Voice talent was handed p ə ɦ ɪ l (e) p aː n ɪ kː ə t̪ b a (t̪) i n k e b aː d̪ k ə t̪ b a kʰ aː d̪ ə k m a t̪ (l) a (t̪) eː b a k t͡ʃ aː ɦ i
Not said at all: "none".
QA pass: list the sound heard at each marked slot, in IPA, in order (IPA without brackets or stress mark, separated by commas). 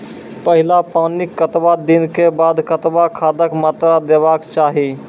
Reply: a, d̪, ɾ, d̪